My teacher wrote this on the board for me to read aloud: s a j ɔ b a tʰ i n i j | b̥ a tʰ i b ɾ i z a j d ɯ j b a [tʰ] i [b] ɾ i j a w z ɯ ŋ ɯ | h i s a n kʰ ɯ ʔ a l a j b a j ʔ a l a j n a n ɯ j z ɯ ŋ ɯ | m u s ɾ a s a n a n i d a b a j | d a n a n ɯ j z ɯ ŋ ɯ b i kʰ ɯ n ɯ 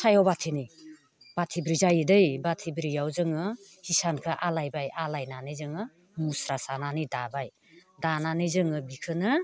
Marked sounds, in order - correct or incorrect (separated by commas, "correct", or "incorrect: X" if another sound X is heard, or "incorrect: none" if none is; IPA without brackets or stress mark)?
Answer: correct, correct